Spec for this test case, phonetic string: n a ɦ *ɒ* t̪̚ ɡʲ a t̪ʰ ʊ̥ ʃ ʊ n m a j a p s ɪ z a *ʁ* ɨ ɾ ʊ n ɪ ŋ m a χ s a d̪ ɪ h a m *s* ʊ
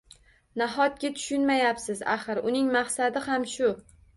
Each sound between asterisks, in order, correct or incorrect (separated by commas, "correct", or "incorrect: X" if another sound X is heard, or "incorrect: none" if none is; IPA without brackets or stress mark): correct, incorrect: χ, incorrect: ʃ